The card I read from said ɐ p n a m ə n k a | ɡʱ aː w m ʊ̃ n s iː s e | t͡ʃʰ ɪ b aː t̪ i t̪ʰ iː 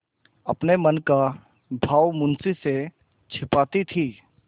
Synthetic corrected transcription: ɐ p n e m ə n k a | bʱ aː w m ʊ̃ n s i s e | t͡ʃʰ ɪ p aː t̪ i t̪ʰ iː